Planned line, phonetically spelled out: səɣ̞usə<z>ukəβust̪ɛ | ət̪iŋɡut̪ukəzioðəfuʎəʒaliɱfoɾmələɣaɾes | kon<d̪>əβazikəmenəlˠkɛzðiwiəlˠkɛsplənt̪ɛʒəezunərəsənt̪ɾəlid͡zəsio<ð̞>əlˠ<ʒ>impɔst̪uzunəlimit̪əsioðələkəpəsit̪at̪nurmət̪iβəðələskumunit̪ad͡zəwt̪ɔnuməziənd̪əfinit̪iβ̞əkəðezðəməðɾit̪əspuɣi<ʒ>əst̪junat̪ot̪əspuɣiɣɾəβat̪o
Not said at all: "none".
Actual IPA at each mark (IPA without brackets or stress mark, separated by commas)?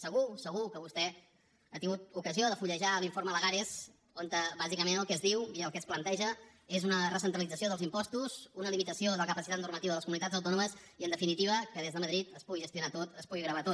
ɣ, t̪, ð̞, z, ʒ